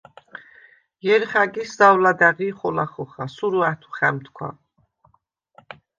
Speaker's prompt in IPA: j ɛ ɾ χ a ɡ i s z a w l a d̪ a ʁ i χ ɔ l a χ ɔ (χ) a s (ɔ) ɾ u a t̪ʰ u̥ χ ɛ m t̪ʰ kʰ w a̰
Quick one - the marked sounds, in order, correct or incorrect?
correct, incorrect: u

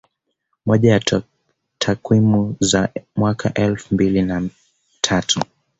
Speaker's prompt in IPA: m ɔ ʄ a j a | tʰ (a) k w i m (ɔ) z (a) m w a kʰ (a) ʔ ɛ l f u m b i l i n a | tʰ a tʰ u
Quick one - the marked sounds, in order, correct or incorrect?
correct, incorrect: u, correct, correct

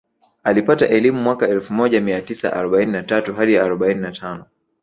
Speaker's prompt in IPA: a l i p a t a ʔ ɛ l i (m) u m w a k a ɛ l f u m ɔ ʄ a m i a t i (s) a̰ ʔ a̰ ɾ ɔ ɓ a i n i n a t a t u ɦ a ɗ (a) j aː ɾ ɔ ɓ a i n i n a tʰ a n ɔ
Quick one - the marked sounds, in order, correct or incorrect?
correct, correct, incorrect: i

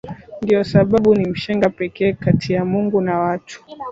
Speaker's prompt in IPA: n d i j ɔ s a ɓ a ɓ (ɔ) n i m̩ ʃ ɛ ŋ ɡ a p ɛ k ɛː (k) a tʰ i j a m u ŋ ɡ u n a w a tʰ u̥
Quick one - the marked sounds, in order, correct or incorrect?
incorrect: u, correct

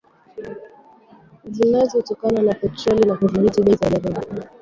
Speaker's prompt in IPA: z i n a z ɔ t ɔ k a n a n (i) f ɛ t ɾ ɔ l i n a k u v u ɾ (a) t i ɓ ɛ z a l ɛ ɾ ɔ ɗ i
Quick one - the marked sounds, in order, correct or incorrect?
incorrect: a, incorrect: i

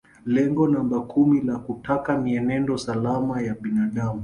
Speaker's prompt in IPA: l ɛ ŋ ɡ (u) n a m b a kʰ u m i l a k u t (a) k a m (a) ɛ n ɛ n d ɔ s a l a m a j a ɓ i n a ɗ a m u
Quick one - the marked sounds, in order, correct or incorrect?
incorrect: ɔ, correct, incorrect: i

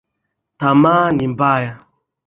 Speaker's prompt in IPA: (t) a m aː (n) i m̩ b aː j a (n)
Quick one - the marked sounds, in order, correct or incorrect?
correct, correct, incorrect: none

